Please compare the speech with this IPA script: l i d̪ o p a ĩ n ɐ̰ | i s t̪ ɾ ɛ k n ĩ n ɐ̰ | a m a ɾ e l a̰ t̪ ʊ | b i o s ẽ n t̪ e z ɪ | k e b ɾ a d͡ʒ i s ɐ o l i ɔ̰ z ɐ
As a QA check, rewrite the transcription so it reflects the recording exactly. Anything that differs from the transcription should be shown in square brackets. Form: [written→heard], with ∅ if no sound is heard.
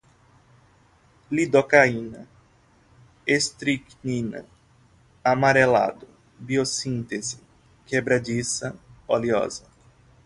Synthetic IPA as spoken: l i d̪ o [p→k] a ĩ n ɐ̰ | [i→e] s t̪ ɾ [ɛ→i] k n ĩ n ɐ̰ | a m a ɾ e l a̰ [t̪→d̪] ʊ | b i o s [ẽ→ĩ] n t̪ e z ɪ | k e b ɾ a d͡ʒ i s ɐ o l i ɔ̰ z ɐ